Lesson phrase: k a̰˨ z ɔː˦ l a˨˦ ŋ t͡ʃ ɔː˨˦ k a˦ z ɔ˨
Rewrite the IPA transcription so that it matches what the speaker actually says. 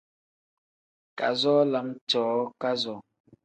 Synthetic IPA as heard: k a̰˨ z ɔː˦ l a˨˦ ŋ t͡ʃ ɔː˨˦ k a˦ z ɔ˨

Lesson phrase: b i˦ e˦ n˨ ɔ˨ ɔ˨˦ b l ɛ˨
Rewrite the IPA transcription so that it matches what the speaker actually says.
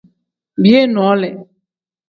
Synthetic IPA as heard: b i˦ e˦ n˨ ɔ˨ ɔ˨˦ l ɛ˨

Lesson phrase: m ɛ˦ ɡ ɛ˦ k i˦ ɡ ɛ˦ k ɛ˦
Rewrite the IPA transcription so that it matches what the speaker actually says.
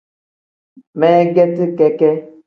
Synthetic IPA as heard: m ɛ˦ ɡ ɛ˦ t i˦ k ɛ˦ k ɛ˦

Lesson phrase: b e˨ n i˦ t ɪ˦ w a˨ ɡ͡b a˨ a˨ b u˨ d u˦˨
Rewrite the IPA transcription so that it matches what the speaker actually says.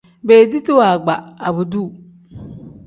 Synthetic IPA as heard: b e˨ d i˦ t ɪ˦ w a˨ ɡ͡b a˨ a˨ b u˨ d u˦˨

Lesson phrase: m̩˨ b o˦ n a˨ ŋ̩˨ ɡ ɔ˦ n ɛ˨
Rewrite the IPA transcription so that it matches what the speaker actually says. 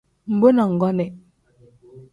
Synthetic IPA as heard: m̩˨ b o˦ n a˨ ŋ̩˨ ɡ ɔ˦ n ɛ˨

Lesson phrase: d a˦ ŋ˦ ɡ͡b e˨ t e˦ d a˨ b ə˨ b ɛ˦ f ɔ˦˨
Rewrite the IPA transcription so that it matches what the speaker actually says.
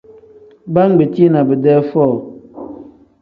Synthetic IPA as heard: b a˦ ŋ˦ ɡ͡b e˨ t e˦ n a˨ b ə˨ d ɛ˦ f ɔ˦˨

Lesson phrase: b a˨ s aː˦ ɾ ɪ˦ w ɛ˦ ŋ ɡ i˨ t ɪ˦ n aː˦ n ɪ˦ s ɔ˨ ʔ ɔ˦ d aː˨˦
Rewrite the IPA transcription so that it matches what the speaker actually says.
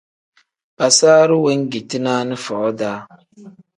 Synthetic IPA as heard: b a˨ s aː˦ ɾ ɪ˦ w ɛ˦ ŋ ɡ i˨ t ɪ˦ n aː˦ n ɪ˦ f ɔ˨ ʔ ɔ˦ d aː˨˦

